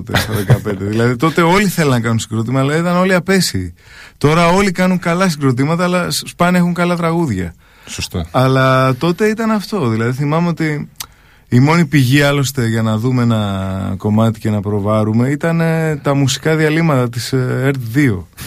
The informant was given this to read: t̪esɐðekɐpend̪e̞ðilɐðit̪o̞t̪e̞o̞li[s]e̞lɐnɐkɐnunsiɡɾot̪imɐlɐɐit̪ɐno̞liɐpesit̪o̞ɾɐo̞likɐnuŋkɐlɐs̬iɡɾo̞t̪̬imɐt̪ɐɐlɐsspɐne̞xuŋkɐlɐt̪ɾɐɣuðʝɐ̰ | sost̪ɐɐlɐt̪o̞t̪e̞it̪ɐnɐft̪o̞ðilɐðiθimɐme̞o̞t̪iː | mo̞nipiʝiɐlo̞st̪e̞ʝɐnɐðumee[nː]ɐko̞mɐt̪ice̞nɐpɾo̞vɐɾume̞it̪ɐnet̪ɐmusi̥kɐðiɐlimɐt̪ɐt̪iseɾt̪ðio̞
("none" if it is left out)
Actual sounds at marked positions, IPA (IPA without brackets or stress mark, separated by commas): θ, n